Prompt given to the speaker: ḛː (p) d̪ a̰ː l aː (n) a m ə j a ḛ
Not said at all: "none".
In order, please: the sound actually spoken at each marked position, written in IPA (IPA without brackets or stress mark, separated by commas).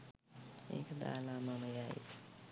k, m